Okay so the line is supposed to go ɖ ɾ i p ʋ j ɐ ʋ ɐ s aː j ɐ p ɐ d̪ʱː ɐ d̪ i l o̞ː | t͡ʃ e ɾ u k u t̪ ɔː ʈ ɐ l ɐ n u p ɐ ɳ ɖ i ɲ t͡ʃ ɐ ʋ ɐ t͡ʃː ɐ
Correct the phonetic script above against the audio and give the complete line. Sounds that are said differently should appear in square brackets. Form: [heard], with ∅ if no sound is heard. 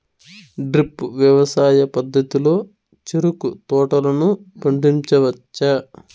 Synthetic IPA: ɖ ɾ i p ʋ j ɐ ʋ ɐ s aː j ɐ p ɐ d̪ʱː ɐ [t̪] i l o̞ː | t͡ʃ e ɾ u k u t̪ ɔː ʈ ɐ l ɐ n u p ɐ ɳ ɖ i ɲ t͡ʃ ɐ ʋ ɐ t͡ʃː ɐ